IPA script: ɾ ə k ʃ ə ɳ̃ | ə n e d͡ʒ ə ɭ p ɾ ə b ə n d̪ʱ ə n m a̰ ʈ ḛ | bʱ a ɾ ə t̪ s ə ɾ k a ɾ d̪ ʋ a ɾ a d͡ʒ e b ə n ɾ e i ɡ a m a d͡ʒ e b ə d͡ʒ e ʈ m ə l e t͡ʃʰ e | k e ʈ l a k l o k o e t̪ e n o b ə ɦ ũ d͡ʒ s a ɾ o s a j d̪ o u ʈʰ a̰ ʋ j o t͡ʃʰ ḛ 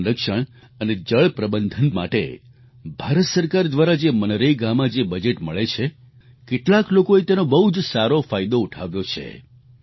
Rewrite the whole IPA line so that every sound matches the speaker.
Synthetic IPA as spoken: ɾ ə k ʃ ə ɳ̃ | ə n e d͡ʒ ə ɭ p ɾ ə b ə n d̪ʱ ə n m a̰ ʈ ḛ | bʱ a ɾ ə t̪ s ə ɾ k a ɾ d̪ ʋ a ɾ a d͡ʒ e m ə n ɾ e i ɡ a m a d͡ʒ e b ə d͡ʒ e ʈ m ə ɭ e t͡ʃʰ e | k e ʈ l a k l o k o e t̪ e n o b ə ɦ u d͡ʒ s a ɾ o f a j d̪ o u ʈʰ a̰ ʋ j o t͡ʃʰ ḛ